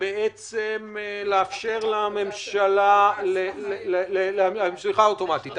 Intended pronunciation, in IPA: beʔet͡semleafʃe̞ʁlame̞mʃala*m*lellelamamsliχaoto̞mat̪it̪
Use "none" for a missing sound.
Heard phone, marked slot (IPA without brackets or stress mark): none